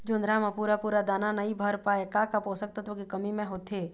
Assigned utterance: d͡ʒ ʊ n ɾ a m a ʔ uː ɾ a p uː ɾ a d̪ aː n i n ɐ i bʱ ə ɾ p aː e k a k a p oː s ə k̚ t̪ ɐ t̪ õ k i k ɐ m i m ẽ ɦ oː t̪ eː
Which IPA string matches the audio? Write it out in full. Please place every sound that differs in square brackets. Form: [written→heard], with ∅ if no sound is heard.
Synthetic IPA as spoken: d͡ʒ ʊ n ɾ a m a [ʔ→p] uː ɾ a p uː ɾ a d̪ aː n [i→a] n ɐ i bʱ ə ɾ p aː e k a k a p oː s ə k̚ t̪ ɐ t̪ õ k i k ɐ m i m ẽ ɦ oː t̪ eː